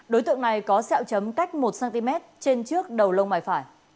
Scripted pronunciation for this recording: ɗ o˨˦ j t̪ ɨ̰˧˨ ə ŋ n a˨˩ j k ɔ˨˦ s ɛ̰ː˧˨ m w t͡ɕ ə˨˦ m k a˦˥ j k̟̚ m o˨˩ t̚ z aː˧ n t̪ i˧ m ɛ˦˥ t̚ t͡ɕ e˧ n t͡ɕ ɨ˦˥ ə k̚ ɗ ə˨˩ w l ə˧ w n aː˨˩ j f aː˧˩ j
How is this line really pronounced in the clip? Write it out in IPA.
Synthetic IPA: ɗ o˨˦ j t̪ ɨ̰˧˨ ə ŋ n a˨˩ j k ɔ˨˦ s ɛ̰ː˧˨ w t͡ɕ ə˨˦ m k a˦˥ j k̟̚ m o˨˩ t̚ s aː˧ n t̪ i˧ m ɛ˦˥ t̚ t͡ɕ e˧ n t͡ɕ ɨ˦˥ ə k̚ ɗ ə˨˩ w l ə˧ w m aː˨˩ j f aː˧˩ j